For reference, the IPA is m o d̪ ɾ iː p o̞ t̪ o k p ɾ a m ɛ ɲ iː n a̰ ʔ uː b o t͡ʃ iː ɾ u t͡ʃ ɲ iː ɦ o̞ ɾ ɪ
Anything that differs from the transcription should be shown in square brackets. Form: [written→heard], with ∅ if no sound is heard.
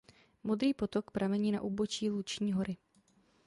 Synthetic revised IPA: m o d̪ ɾ iː p o̞ t̪ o k p ɾ a m ɛ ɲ iː n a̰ ʔ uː b o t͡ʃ iː [ɾ→l] u t͡ʃ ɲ iː ɦ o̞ ɾ ɪ